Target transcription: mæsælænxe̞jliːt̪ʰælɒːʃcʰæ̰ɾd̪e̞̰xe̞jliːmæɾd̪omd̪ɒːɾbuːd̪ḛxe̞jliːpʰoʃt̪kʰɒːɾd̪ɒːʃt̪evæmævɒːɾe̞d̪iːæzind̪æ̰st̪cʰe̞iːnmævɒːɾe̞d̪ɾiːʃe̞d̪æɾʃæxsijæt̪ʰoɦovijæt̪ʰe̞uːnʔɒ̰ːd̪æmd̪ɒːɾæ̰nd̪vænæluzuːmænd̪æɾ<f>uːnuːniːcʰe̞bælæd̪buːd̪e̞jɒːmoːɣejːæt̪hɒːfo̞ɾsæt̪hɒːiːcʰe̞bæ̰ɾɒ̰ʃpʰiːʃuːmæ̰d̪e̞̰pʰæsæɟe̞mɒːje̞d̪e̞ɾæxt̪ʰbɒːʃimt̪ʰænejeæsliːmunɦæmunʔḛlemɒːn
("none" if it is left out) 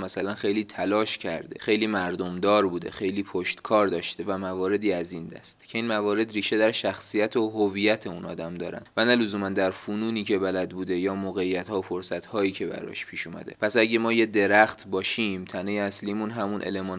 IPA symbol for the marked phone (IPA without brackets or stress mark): f